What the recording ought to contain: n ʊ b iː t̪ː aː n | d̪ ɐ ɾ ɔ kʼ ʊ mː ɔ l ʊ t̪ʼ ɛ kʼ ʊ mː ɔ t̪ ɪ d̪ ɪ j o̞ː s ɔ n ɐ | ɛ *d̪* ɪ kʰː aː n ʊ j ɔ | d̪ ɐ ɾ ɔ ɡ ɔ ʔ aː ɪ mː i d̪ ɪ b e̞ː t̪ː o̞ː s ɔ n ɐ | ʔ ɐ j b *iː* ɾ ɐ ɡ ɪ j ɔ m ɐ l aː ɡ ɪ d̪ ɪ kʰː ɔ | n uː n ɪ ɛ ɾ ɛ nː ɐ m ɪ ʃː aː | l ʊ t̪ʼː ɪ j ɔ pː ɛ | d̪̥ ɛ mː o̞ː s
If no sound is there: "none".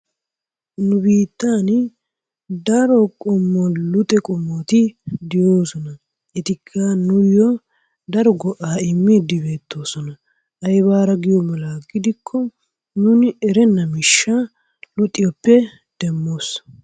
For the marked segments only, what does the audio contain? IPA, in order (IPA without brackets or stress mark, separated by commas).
t̪, aː